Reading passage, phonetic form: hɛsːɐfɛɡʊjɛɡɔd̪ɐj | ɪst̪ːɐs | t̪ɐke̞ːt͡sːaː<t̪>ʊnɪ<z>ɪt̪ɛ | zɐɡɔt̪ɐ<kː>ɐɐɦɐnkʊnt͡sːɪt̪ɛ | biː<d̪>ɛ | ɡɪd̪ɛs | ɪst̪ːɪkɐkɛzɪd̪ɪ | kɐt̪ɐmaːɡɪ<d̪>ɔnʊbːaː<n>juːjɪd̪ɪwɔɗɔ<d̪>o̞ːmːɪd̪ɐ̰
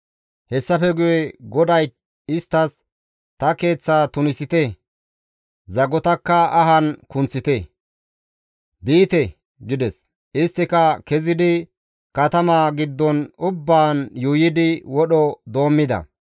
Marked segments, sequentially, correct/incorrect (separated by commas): correct, incorrect, correct, incorrect, incorrect, correct, correct